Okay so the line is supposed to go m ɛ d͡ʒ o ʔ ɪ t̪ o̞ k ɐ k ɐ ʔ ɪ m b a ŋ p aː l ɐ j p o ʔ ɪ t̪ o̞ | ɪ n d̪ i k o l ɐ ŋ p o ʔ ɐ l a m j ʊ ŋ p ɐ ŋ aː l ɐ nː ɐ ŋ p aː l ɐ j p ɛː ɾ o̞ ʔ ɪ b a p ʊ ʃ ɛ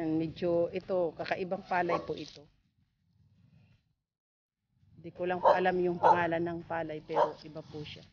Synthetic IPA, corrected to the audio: m ɛ d͡ʒ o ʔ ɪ t̪ o̞ k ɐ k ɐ ʔ ɪ b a ŋ p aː l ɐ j p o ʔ ɪ t̪ o̞ | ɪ n d̪ i k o l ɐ ŋ p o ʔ ɐ l a m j ʊ ŋ p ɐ ŋ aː l ɐ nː ɐ ŋ p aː l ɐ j p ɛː ɾ o̞ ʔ ɪ b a p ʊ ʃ a